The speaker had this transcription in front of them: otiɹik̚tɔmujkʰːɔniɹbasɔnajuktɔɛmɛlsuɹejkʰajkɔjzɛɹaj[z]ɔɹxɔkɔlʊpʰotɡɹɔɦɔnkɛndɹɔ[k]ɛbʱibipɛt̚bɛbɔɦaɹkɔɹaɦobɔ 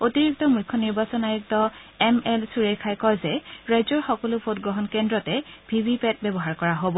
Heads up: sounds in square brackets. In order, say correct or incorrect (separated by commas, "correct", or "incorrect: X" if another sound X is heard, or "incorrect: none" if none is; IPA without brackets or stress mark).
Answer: correct, incorrect: t